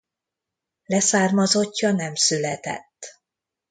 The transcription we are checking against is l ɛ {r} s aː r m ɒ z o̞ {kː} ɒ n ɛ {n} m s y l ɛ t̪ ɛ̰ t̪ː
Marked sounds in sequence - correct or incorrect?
incorrect: none, incorrect: cː, incorrect: none

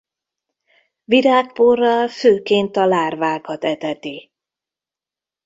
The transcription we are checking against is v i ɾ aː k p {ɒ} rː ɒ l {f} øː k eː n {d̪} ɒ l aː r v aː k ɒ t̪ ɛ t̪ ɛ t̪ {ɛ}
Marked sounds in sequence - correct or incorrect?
incorrect: o, correct, incorrect: t̪, incorrect: i

